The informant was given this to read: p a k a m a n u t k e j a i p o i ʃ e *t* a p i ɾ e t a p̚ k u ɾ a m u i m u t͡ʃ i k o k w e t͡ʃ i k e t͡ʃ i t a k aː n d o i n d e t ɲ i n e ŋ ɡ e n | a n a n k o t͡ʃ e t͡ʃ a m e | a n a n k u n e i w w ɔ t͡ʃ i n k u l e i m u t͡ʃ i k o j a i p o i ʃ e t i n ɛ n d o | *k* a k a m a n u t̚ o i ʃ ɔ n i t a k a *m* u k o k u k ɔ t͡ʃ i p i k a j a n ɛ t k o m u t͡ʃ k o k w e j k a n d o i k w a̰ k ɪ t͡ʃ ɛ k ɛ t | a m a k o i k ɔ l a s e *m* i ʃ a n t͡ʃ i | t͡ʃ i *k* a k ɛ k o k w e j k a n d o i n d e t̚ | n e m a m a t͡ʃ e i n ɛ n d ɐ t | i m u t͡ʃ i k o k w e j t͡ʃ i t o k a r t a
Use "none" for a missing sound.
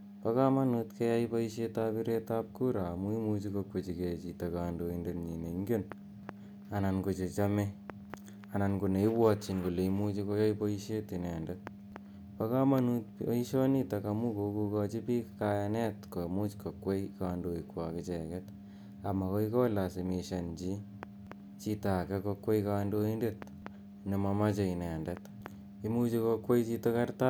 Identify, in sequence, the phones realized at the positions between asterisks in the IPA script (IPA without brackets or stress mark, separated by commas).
t, p, m, m, t